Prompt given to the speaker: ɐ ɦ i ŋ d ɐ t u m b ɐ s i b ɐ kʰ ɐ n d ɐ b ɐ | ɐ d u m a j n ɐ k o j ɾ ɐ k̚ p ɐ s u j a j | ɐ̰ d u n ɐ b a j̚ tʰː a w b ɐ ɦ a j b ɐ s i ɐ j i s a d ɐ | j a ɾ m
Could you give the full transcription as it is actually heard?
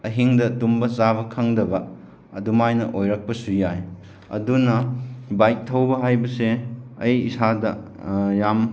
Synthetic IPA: ɐ ɦ i ŋ d ɐ t u m b ɐ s a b ɐ kʰ ɐ ŋ d ɐ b ɐ | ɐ d u m a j n ɐ ʔ o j ɾ ɐ k̚ p ɐ s u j a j | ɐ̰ d u n ɐ b a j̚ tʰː ɐ w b ɐ ɦ a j b ɐ s e ɐ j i s a d ɐ | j a m